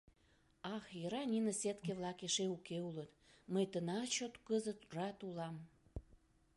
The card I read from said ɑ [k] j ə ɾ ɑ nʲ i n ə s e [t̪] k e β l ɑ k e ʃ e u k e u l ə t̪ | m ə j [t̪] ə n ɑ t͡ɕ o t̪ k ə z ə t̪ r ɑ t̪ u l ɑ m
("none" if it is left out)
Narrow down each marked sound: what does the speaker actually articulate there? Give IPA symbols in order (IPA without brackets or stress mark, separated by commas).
x, t̪, t̪